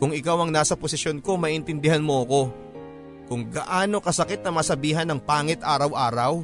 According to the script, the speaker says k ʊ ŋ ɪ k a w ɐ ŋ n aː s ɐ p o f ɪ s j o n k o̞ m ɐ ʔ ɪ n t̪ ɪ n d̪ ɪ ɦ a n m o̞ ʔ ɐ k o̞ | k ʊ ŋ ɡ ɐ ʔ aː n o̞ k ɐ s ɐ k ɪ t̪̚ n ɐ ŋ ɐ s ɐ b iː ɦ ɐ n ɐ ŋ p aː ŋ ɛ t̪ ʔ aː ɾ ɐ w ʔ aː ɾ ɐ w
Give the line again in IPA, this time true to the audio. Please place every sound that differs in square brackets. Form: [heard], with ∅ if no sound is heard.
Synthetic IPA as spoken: k ʊ ŋ ɪ k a w ɐ ŋ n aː s ɐ p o [s] ɪ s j o n k o̞ m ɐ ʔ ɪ n t̪ ɪ n d̪ ɪ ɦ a n m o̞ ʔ ɐ k o̞ | k ʊ ŋ ɡ ɐ ʔ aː n o̞ k ɐ s ɐ k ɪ t̪̚ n ɐ [m] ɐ s ɐ b iː ɦ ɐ n ɐ ŋ p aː ŋ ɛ t̪ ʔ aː ɾ ɐ w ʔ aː ɾ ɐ w